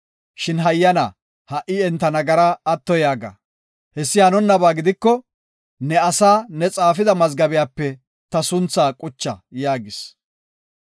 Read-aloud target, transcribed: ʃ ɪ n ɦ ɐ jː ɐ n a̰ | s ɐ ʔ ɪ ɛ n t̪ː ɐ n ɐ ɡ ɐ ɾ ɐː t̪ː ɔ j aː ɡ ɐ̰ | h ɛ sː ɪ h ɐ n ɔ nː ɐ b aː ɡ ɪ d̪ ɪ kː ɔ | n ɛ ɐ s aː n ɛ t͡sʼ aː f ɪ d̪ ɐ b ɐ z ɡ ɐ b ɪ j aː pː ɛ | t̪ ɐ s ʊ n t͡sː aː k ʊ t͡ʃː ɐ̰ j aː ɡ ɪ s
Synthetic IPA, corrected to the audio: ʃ ɪ n ɦ ɐ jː ɐ n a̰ | h ɐ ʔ ɪ ɛ n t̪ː ɐ n ɐ ɡ ɐ ɾ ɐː t̪ː ɔ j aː ɡ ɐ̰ | h ɛ sː ɪ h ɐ n ɔ nː ɐ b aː ɡ ɪ d̪ ɪ kː ɔ | n ɛ ɐ s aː n ɛ t͡sʼ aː f ɪ d̪ ɐ m ɐ z ɡ ɐ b ɪ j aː pː ɛ | t̪ ɐ s ʊ n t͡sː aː kʼ ʊ t͡ʃː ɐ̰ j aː ɡ ɪ s